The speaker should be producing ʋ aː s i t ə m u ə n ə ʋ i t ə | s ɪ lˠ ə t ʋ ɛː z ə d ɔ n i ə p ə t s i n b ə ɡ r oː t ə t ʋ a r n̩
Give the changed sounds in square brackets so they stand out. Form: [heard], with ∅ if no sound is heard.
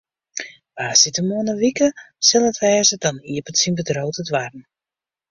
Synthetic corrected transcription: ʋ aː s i t ə m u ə n ə ʋ i [k] ə | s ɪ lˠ ə t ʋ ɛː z ə d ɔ n i ə p ə t s i n b ə [d] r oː t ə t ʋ a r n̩

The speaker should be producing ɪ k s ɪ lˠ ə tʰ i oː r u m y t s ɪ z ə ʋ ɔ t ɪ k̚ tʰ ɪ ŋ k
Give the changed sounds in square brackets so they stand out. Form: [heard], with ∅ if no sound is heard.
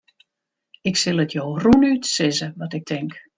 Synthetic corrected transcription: ɪ k s ɪ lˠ ə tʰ [j] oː r u [n] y t s ɪ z ə ʋ ɔ t ɪ k̚ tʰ ɪ ŋ k

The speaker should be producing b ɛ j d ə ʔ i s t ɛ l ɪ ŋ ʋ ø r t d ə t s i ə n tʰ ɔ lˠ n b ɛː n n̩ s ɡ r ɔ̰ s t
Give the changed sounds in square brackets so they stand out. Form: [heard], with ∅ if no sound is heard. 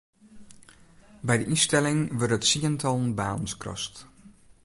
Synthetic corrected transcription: b ɛ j d ə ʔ i s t ɛ l ɪ ŋ ʋ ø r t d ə t s i ə n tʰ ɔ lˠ n b [aː] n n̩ s [k] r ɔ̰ s t

